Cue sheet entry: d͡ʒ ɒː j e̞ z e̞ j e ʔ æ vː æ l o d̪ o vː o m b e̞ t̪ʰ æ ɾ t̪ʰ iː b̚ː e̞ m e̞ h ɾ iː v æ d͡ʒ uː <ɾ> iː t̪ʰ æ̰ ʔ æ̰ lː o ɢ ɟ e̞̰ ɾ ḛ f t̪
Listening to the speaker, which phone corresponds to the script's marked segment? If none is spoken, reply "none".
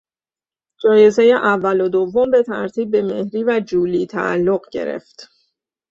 l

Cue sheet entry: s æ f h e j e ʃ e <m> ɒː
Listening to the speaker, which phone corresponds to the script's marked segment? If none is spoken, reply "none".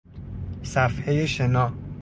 n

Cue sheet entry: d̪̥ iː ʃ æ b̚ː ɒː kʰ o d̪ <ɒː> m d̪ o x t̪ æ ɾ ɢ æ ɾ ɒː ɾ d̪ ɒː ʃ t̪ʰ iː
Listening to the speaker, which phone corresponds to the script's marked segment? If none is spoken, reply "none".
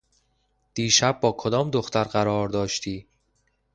ɒː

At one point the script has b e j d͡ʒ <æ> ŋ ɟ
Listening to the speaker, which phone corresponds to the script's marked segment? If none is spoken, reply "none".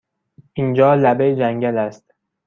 æ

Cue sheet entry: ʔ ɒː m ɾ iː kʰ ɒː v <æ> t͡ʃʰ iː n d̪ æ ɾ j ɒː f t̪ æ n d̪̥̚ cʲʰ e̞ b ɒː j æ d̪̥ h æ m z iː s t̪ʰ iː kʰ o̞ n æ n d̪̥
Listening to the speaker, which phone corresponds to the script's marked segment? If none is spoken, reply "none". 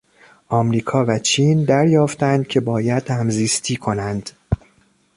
æ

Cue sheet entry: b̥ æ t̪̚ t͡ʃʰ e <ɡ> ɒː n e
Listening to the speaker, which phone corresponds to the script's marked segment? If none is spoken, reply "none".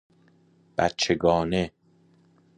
ɡ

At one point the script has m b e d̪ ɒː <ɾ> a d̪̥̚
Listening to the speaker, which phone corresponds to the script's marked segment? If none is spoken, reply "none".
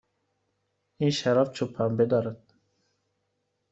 ɾ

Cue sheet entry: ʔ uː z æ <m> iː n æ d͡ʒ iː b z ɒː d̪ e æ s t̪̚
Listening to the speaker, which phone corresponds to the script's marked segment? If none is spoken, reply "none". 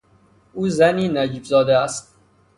n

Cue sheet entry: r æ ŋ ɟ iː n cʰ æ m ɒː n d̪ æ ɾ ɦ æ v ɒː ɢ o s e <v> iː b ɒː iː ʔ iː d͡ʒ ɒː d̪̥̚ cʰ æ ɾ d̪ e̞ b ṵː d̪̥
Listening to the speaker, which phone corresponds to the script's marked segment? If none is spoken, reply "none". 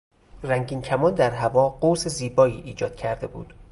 z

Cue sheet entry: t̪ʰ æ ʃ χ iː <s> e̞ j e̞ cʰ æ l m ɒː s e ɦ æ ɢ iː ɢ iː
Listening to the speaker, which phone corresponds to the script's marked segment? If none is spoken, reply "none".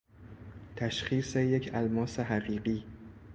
s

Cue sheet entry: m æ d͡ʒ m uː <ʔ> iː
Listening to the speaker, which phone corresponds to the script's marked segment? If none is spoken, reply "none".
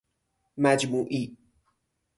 ʔ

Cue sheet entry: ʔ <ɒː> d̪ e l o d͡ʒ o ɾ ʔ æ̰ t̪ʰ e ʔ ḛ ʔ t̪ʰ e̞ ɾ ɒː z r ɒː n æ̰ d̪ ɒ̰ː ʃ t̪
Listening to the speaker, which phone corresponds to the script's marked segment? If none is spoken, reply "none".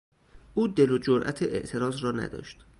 uː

